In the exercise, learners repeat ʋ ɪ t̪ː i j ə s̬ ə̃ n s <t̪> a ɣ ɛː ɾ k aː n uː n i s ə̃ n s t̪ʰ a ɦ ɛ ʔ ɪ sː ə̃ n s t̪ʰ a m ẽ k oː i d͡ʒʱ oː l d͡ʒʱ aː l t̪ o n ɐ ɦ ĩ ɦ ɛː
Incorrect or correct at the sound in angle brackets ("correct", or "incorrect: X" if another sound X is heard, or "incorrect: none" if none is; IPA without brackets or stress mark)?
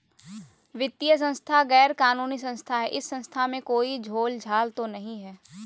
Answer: incorrect: t̪ʰ